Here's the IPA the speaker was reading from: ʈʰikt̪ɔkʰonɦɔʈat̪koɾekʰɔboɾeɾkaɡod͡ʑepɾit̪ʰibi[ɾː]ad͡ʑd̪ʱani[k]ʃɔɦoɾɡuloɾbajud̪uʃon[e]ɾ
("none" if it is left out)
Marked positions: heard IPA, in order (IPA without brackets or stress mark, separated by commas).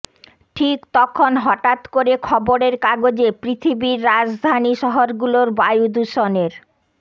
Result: ɾː, none, e